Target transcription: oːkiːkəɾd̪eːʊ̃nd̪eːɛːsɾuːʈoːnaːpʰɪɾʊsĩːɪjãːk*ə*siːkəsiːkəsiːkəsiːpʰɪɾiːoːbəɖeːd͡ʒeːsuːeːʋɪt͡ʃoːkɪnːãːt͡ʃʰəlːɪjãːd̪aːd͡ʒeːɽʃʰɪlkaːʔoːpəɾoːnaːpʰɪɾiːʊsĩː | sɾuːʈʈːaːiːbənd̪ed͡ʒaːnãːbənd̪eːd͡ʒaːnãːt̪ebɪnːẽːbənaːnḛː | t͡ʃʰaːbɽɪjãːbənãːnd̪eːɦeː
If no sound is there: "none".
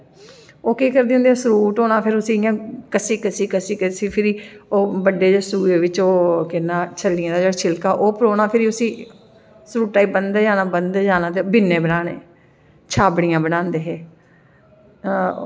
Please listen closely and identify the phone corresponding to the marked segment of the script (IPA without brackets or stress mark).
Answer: ə